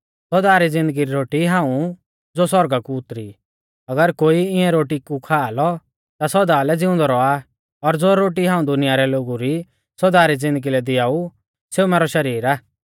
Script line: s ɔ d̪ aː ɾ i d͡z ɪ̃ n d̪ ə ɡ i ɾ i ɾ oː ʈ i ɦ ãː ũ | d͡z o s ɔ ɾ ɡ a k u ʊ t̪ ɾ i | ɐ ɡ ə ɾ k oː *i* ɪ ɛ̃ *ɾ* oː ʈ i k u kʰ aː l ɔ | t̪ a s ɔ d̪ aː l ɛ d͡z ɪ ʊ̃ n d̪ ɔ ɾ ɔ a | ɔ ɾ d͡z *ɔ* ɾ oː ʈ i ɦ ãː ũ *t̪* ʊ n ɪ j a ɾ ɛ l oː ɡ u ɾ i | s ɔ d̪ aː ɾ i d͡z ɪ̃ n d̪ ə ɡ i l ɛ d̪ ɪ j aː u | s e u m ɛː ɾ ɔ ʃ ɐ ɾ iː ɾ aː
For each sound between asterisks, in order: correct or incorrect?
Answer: correct, correct, incorrect: o, incorrect: d̪

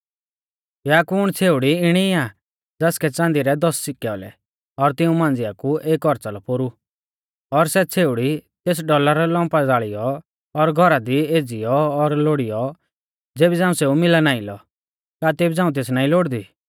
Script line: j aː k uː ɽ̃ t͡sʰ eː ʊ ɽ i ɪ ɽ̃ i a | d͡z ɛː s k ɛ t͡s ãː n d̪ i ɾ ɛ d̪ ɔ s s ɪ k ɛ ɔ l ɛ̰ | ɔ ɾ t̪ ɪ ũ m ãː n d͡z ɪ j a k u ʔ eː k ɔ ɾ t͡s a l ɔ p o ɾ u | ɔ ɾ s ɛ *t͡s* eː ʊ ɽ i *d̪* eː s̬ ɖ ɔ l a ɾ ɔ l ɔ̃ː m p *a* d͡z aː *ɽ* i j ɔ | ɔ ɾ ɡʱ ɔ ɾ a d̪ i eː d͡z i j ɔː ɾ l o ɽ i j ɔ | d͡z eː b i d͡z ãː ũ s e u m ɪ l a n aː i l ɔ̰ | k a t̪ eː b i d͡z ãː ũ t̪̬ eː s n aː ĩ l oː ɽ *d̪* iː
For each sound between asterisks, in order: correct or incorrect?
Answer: incorrect: t͡sʰ, incorrect: t̪, correct, incorrect: ɭ, correct

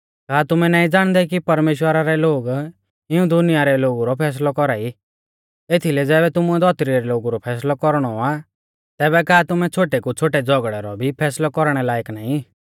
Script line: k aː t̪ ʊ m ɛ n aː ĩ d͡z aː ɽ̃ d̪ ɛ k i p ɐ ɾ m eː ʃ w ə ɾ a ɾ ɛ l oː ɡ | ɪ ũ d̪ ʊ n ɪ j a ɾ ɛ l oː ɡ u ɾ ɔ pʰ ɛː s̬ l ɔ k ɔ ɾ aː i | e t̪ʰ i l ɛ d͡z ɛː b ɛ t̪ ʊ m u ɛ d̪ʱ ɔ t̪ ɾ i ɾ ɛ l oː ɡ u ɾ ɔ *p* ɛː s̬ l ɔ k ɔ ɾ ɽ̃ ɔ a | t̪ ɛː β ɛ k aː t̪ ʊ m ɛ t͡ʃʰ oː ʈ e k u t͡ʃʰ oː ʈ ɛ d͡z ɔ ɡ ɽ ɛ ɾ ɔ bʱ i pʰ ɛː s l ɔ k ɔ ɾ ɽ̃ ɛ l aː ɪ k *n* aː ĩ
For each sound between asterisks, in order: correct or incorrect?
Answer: incorrect: pʰ, correct

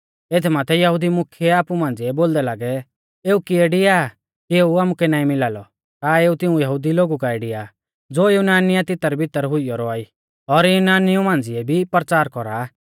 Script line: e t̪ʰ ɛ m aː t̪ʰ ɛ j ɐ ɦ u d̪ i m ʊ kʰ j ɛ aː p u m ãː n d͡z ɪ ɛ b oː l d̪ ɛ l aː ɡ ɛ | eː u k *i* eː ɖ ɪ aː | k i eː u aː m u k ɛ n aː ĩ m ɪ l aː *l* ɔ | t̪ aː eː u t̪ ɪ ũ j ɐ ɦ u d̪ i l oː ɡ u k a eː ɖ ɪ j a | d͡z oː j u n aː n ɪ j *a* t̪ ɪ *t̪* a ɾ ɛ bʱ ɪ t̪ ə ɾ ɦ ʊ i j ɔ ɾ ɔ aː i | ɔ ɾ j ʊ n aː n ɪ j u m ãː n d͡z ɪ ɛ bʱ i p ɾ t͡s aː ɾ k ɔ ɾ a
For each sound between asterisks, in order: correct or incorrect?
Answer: correct, correct, correct, correct

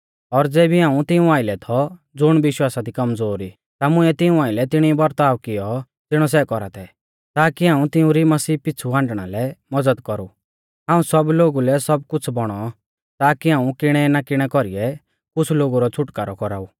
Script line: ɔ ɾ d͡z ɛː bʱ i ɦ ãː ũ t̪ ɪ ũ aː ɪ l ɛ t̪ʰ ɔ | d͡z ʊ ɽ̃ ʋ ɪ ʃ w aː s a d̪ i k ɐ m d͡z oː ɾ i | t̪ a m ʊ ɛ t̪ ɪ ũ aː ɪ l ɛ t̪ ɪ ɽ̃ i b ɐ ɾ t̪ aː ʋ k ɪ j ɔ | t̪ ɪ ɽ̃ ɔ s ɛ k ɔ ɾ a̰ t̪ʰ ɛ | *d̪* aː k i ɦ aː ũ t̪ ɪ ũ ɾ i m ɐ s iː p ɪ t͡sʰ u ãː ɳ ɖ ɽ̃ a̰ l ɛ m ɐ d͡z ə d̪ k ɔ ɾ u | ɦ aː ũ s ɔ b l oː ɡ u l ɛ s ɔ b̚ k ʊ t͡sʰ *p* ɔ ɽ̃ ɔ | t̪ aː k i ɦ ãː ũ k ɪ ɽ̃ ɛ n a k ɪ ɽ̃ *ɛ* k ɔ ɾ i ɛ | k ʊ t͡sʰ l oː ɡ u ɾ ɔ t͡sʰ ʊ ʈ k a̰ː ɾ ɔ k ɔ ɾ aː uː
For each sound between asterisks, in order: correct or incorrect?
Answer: incorrect: t̪, incorrect: b, correct

